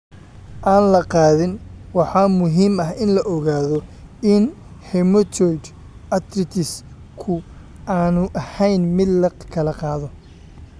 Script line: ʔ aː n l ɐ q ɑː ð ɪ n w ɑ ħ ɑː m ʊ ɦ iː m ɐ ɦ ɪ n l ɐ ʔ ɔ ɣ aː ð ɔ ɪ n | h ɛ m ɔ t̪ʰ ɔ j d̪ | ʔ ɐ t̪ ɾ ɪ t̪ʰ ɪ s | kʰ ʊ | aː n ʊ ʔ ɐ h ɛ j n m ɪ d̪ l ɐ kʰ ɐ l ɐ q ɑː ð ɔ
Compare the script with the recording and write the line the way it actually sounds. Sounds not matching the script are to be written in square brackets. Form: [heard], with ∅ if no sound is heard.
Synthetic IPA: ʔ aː n l ɐ q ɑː ð ɪ n w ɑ ħ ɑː m ʊ ɦ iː m ɐ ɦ ɪ n l ɐ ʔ ɔ ɣ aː ð ɔ ɪ n | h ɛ m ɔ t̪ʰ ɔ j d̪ | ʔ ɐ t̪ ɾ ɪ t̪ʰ ɪ s | kʰ ʊ | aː n ʊ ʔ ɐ h ɛ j n m ɪ d̪ l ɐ kʰ ɐ l ɐ q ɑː ð ɔ